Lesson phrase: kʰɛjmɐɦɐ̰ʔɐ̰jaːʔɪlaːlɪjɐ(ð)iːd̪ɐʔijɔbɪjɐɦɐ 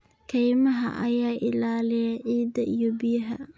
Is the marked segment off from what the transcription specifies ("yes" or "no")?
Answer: yes